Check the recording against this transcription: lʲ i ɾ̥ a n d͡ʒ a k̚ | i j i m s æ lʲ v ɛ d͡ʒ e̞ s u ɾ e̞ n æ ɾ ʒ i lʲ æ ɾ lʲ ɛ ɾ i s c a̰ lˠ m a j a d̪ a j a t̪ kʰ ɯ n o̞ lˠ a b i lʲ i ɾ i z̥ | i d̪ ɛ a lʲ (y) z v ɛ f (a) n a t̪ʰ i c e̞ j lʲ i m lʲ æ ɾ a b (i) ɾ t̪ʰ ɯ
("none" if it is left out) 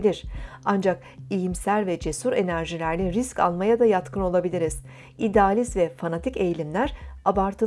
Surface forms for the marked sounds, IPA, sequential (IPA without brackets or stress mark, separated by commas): i, a, a